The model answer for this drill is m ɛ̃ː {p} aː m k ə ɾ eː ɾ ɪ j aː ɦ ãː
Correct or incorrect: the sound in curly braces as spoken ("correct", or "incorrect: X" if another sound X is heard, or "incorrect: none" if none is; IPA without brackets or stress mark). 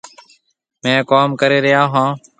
incorrect: k